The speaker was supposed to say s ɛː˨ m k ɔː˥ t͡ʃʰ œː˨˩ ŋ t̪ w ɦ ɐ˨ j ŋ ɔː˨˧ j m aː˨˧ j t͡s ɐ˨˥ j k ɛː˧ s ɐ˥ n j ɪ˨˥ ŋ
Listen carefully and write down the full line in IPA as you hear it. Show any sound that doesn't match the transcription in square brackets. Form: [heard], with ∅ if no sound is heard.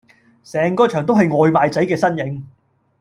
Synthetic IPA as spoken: s ɛː˨ [ŋ] k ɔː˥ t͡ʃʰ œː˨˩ ŋ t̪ w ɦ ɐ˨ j ŋ ɔː˨˧ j m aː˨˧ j t͡s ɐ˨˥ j k ɛː˧ s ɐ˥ n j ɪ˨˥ ŋ